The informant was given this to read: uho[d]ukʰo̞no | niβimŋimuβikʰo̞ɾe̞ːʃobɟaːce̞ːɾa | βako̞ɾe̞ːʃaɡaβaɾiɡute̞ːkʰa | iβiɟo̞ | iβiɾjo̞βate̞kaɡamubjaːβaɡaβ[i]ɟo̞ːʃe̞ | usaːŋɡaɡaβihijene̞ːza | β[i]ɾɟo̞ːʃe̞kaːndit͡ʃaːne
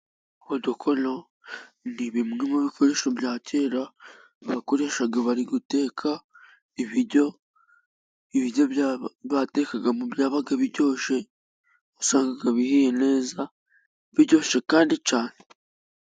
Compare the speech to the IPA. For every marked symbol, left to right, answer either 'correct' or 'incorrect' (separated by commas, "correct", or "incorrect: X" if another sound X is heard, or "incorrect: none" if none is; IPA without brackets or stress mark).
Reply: correct, correct, correct